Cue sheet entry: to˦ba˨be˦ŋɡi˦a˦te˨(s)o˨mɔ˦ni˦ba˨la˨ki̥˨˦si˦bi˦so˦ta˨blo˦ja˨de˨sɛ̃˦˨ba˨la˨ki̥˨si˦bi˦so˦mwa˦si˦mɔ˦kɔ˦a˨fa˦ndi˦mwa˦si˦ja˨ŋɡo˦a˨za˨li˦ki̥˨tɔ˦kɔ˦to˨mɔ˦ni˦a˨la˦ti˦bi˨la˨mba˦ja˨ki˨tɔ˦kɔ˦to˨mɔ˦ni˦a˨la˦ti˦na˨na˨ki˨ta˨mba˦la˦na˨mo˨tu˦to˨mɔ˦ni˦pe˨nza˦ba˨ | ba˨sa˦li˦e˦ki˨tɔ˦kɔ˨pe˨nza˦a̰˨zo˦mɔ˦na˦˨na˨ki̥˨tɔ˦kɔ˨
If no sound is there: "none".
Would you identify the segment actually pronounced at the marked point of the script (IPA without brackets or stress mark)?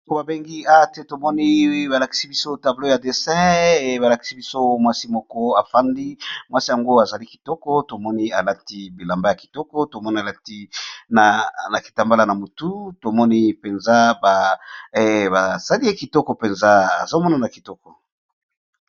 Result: t